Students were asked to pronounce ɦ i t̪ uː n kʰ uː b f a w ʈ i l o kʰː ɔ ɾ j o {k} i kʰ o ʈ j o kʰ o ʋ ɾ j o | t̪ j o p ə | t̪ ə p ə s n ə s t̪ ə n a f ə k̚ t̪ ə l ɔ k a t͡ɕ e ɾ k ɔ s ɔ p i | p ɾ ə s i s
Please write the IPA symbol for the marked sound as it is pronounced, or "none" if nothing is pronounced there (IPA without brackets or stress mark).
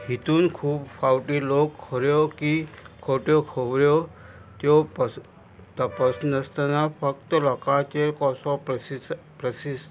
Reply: k